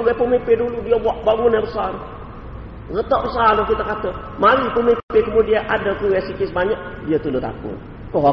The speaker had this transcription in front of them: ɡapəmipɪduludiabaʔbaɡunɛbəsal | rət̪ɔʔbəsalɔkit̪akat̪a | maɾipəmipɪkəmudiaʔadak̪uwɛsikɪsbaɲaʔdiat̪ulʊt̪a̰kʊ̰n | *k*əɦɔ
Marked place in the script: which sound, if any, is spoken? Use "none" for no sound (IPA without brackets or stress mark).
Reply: k